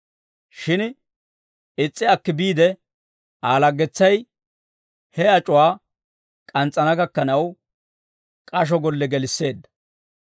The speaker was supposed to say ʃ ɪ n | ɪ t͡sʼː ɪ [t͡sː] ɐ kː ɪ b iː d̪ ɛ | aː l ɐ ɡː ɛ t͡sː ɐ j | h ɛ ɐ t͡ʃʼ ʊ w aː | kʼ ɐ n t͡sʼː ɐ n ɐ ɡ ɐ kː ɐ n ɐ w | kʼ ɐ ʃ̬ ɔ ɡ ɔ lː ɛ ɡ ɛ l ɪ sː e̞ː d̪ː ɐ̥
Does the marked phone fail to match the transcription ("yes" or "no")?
yes